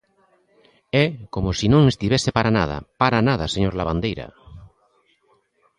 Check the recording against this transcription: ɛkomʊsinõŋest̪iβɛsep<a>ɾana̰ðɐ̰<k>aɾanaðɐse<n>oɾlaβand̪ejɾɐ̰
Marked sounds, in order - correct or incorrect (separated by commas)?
correct, incorrect, incorrect